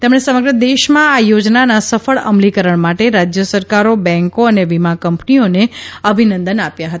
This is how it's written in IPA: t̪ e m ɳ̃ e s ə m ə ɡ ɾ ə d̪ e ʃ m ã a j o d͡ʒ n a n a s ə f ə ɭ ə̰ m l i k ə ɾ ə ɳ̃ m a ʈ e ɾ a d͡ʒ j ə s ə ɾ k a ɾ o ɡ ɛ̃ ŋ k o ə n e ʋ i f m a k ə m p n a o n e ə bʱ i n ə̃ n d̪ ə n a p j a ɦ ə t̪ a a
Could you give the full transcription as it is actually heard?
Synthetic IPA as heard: t̪ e m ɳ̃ e s ə m ə ɡ ɾ ə d̪ e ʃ m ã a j o d͡ʒ n a n a s ə f ə ɭ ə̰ m l i k ə ɾ ə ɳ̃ m a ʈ e ɾ a d͡ʒ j ə s ə ɾ k a ɾ o b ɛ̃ ŋ k o ə n e ʋ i m a k ə m p n i o n e ə bʱ i n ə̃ n d̪ ə n a p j a ɦ ə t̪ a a